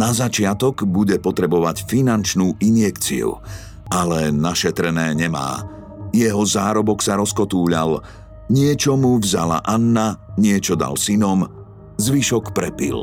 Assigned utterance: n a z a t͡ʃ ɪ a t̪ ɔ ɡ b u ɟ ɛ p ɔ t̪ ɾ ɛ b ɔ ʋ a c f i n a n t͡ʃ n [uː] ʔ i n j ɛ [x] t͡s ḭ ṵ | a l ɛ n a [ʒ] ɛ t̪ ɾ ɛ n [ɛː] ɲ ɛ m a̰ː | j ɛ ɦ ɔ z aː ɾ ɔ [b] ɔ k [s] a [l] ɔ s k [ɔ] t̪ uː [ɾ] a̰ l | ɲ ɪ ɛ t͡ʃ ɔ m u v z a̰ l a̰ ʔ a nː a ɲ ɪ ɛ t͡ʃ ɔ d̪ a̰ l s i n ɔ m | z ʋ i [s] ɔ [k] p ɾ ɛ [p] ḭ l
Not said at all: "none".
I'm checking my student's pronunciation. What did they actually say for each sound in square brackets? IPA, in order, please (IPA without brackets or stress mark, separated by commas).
uː, k, ʃ, ɛː, b, s, ɾ, ɔ, ʎ, ʃ, k, p